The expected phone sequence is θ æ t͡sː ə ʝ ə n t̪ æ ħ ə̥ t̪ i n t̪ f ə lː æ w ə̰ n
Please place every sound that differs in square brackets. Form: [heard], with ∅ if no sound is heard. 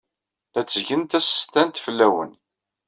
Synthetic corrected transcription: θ æ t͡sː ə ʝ ə n t̪ æ [s] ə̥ t̪ [æ] n t̪ f ə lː æ w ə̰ n